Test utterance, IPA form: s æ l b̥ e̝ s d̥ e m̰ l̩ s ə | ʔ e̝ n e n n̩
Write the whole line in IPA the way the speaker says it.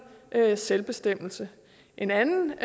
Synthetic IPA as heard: s e l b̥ e̝ s d̥ e m̰ l̩ s ə | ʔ e̝ n æ n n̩